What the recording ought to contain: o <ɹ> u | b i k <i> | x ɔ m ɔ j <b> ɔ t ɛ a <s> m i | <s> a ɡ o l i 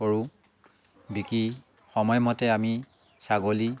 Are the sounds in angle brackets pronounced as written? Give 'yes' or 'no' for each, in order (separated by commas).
yes, yes, no, no, yes